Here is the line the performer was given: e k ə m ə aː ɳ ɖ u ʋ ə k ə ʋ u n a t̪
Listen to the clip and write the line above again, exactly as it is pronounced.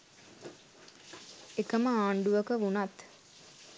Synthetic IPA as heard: e k ə m ə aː ɳ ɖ u ʋ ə k ə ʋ u n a t̪